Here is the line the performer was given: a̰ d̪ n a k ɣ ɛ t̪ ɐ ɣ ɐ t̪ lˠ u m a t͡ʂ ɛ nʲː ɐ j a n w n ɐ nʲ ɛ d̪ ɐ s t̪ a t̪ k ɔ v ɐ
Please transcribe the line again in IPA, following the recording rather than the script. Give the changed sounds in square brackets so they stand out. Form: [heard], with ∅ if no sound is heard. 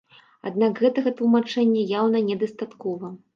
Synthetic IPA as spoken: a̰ d̪ n a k ɣ ɛ t̪ ɐ ɣ ɐ t̪ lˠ u m a t͡ʂ ɛ nʲː ɐ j a [∅] w n ɐ nʲ ɛ d̪ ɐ s t̪ a t̪ k ɔ v ɐ